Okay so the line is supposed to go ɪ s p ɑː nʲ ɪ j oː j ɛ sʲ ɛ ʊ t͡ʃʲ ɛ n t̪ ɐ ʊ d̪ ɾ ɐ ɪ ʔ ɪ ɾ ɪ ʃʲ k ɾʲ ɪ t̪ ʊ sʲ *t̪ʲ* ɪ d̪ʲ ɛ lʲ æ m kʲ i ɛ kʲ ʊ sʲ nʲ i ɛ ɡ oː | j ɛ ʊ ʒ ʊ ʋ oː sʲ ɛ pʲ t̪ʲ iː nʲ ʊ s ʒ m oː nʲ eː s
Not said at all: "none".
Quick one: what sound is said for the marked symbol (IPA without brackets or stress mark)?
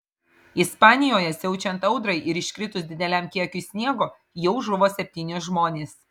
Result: d̪ʲ